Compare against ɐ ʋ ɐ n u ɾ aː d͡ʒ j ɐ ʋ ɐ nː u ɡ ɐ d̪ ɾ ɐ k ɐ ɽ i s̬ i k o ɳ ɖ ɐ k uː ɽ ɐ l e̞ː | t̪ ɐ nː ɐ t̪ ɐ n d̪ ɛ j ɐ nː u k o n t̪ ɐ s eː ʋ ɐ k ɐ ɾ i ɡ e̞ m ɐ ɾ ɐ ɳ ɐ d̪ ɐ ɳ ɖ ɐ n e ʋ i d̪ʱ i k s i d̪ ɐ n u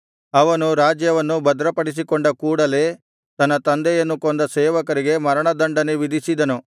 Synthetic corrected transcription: ɐ ʋ ɐ n u ɾ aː d͡ʒ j ɐ ʋ ɐ nː u b ɐ d̪ ɾ ɐ p ɐ ɽ i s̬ i k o ɳ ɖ ɐ k uː ɽ ɐ l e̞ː | t̪ ɐ nː ɐ t̪ ɐ n d̪ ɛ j ɐ nː u k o n d̪ ɐ s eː ʋ ɐ k ɐ ɾ i ɡ e̞ m ɐ ɾ ɐ ɳ ɐ d̪ ɐ ɳ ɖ ɐ n e ʋ i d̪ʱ i s i d̪ ɐ n u